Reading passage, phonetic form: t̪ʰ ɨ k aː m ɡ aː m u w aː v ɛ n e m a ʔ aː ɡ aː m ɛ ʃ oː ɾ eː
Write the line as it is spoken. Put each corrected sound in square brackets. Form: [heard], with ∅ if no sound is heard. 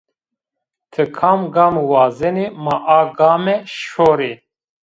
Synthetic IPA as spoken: t̪ʰ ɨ [kʰ] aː m ɡ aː m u w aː [z] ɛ n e m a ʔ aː ɡ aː m ɛ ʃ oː ɾ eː

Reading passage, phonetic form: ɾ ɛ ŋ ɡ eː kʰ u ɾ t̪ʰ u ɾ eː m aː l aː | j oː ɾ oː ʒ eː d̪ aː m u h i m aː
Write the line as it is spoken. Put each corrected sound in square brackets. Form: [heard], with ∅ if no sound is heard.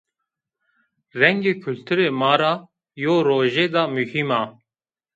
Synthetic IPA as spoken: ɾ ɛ ŋ ɡ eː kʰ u [l] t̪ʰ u ɾ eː m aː [ɾ] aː | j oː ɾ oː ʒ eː d̪ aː m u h i m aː

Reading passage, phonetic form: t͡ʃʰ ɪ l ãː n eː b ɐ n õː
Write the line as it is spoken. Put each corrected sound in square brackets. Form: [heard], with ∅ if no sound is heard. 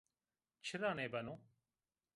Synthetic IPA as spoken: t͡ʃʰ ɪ [ɾ] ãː n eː b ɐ n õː

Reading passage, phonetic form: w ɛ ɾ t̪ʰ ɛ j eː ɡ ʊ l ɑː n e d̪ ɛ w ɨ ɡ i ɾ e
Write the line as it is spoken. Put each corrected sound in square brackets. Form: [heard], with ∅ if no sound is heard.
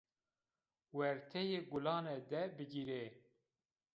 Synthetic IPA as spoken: w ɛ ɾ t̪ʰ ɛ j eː ɡ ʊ l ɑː n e d̪ ɛ [b] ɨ ɡ i ɾ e

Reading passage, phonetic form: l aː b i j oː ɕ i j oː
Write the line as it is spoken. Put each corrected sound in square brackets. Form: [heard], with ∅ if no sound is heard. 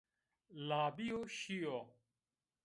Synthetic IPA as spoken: l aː b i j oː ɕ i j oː

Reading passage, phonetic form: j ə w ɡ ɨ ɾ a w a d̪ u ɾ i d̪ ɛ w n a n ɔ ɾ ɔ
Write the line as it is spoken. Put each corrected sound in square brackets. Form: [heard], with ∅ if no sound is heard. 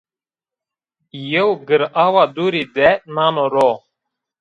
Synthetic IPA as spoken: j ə w ɡ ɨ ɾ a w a d̪ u ɾ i d̪ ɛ [∅] n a n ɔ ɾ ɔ

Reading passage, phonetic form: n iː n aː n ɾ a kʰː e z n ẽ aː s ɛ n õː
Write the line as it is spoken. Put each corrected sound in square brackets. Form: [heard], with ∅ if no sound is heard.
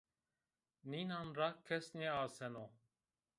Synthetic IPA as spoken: n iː n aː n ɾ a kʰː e [s] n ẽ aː s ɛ n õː

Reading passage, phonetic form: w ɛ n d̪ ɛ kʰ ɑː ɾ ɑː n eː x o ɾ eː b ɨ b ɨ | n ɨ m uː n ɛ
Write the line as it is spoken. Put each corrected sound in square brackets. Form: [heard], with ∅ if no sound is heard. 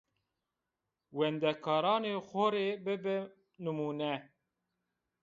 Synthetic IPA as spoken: w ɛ n d̪ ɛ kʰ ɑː ɾ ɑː n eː x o ɾ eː b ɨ b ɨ | n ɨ m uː n ɛ

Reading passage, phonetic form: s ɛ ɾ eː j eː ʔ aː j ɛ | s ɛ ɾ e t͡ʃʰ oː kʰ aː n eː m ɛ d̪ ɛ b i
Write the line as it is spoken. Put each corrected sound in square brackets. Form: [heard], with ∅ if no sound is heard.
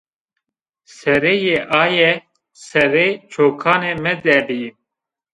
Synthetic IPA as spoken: s ɛ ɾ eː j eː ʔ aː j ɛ | s ɛ ɾ e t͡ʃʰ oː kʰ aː n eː m ɛ d̪ ɛ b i

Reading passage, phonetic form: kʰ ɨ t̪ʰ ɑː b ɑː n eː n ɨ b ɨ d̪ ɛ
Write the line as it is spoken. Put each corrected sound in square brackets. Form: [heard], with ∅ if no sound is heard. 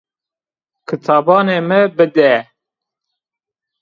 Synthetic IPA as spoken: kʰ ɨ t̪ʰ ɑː b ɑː n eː [m] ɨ b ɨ d̪ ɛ

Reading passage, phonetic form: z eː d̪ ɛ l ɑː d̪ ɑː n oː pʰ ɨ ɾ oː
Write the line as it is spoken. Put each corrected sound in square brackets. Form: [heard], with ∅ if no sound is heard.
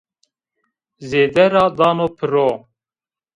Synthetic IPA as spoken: z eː d̪ ɛ [ɾ] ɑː d̪ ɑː n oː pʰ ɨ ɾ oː

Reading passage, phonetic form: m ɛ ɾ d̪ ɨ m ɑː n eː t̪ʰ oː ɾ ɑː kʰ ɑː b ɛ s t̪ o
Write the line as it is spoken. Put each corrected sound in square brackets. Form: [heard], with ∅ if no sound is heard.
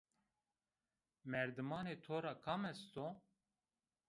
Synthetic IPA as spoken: m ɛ ɾ d̪ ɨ m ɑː n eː t̪ʰ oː ɾ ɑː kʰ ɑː [m] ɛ s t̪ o

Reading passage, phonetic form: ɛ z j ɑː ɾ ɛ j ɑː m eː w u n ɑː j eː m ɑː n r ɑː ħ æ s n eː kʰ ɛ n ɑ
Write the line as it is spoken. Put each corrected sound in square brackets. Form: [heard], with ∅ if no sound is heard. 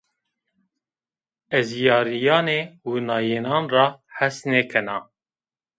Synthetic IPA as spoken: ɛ z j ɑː ɾ [i] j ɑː [n] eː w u n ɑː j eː [n] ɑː n r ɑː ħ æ s n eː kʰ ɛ n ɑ

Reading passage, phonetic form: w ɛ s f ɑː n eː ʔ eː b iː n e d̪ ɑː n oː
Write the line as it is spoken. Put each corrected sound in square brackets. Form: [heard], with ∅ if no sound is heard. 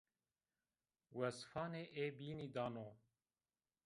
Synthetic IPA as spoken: w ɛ s f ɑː n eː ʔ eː b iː n [i] d̪ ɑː n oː

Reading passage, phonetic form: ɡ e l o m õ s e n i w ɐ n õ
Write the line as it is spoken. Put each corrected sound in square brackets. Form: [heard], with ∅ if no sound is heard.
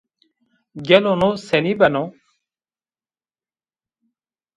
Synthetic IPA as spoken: ɡ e l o [n] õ s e n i [b] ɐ n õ

